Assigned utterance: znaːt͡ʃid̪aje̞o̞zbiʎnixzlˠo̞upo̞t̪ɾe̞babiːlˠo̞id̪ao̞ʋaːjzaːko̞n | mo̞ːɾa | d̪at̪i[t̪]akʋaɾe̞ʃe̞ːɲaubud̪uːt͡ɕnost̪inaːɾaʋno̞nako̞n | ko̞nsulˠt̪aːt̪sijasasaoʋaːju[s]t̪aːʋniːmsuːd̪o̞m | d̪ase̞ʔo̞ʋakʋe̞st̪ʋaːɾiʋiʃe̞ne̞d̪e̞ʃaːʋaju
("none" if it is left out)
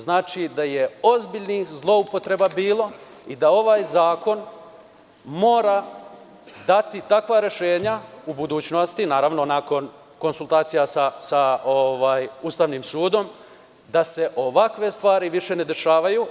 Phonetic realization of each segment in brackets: t̪, s

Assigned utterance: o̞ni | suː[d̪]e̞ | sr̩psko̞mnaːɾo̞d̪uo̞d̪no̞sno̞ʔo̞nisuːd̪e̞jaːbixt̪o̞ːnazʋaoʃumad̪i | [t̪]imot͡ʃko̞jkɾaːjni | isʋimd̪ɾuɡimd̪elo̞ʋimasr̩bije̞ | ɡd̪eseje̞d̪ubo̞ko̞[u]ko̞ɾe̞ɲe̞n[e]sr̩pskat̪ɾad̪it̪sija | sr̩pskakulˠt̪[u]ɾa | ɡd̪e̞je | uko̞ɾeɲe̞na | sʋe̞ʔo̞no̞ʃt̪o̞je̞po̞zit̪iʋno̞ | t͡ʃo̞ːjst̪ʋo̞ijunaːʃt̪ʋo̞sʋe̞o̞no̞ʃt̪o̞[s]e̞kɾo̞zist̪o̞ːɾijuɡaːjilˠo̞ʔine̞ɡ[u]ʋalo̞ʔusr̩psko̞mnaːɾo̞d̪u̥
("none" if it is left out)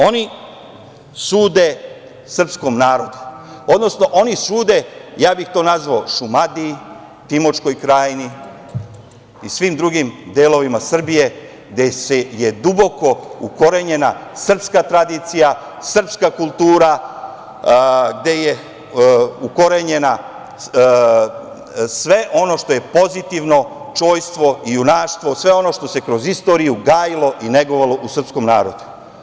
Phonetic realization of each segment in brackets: d̪, t̪, u, a, uː, s, o

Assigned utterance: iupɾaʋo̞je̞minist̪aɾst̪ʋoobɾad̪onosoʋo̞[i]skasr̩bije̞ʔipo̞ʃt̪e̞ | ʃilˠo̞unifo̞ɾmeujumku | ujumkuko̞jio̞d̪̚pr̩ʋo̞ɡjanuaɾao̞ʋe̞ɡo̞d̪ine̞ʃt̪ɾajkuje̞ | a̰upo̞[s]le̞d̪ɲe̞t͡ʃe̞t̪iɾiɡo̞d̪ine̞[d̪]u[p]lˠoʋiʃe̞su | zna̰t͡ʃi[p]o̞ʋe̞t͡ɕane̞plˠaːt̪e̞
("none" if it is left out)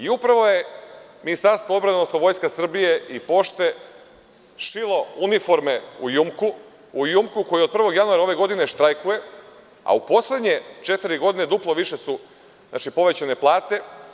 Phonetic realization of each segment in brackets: j, s, d̪, p, p

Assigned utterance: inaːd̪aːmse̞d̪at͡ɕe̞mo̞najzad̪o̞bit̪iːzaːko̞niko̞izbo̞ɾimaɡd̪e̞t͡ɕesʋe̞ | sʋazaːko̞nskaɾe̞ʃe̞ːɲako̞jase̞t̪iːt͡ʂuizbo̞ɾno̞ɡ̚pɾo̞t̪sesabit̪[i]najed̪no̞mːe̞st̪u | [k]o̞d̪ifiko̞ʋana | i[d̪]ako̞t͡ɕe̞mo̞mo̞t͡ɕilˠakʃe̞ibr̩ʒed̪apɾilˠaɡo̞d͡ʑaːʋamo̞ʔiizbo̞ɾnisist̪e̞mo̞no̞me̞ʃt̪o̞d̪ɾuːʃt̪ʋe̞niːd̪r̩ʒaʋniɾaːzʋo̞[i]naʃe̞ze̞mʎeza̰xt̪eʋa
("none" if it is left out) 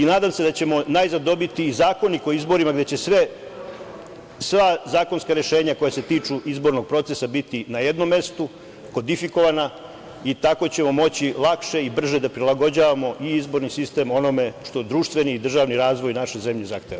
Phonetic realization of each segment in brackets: i, k, t̪, j

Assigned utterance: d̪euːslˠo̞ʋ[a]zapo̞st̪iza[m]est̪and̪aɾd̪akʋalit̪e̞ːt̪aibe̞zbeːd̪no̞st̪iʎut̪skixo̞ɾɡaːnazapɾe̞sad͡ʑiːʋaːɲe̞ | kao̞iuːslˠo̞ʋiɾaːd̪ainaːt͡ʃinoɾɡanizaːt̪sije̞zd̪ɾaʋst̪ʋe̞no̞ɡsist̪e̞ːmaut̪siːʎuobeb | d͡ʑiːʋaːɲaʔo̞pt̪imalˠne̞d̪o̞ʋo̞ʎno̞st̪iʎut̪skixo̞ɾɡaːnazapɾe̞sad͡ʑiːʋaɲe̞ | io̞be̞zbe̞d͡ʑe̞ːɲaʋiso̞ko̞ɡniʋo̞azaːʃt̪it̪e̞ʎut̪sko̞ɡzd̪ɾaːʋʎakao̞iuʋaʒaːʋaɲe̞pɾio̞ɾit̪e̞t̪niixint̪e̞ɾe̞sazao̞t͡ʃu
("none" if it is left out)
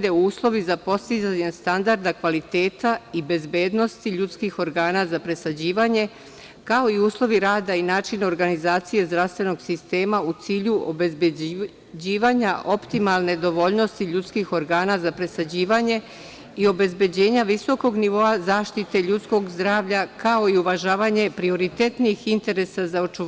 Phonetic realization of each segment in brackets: i, ɲ

